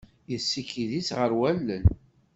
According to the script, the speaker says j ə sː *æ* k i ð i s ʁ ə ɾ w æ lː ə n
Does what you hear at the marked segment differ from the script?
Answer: yes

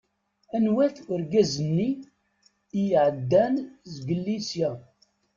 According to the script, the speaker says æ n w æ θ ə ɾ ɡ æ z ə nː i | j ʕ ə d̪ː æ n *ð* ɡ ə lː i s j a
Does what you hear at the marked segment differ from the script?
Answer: yes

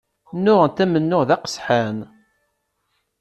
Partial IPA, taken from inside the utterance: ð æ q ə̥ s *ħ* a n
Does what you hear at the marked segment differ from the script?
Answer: no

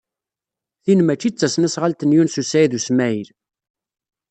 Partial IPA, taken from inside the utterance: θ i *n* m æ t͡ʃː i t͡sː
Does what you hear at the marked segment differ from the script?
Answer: no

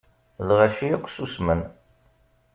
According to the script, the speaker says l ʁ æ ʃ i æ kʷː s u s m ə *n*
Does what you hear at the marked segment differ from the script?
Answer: no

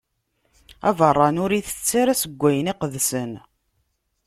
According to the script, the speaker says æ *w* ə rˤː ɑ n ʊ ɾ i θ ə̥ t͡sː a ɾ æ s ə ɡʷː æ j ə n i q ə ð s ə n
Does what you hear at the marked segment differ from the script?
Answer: yes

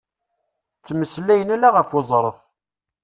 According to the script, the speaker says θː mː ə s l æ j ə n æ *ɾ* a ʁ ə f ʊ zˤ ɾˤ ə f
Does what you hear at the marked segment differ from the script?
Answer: yes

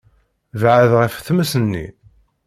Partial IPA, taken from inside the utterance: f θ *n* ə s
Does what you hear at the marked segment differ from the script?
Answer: yes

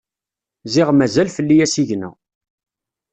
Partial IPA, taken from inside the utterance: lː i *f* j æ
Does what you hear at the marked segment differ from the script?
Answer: yes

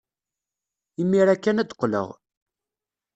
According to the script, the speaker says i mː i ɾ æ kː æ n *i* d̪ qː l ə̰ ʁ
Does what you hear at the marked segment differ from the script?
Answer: yes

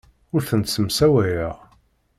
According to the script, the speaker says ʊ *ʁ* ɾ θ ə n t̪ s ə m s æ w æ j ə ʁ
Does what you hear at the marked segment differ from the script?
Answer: yes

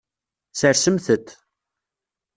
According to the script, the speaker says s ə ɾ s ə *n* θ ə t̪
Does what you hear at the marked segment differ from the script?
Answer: yes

